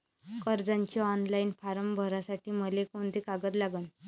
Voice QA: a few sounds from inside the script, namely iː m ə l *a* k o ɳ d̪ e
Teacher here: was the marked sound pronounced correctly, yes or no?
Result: no